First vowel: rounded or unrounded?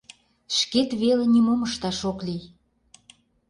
unrounded